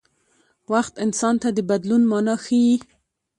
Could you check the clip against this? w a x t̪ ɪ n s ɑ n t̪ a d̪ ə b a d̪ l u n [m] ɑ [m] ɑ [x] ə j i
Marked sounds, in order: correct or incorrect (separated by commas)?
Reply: correct, incorrect, correct